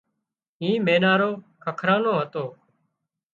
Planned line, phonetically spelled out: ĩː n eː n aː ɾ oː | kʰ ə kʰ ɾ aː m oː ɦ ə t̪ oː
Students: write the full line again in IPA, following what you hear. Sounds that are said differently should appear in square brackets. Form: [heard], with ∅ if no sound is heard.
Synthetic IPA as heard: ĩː [m] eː n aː ɾ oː | kʰ ə kʰ ɾ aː [n] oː ɦ ə t̪ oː